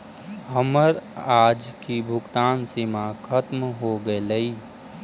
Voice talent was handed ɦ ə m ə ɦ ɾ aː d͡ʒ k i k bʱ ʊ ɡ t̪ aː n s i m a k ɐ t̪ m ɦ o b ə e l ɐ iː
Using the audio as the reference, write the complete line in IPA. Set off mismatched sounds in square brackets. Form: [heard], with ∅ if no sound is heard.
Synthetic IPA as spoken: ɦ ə m ə [∅] ɾ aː d͡ʒ k i [∅] bʱ ʊ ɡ t̪ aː n s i m a [kʰ] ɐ t̪ m ɦ o [ɡ] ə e l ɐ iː